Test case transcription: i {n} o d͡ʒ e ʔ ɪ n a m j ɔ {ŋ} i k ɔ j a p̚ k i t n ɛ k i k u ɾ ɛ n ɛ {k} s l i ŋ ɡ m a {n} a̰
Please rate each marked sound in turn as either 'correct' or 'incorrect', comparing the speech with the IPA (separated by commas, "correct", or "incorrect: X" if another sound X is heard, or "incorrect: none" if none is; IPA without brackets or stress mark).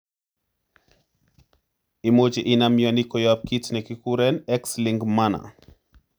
incorrect: m, incorrect: n, correct, correct